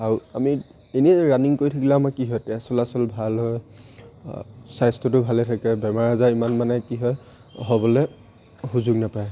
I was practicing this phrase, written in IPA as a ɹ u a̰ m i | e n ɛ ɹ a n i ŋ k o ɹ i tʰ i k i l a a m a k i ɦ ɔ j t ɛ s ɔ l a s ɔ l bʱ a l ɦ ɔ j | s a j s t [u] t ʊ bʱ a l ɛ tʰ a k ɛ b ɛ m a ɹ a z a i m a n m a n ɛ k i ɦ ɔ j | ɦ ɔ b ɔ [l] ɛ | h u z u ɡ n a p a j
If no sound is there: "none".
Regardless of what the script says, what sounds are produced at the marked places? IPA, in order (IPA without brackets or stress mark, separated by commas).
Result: ɔ, l